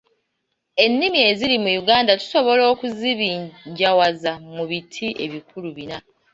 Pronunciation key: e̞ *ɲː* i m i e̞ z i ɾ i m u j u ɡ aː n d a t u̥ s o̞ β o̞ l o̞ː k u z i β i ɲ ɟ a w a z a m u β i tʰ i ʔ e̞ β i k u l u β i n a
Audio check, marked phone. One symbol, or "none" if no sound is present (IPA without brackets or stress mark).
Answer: nː